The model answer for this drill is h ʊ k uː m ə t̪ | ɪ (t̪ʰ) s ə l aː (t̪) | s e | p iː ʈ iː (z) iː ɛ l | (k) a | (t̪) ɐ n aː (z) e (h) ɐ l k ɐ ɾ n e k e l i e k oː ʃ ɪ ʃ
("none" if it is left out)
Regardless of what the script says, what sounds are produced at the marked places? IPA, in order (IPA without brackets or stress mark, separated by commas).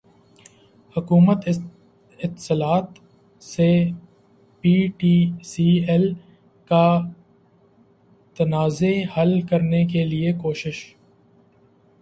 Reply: t̪, t̪, s, k, t̪, z, h